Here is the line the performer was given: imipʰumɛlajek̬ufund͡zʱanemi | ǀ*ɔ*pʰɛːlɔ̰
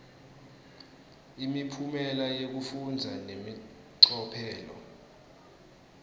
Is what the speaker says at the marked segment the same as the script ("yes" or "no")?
yes